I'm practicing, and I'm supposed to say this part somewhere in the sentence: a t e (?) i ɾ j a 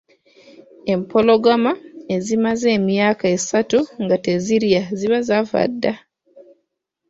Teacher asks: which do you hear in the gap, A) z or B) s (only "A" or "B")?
A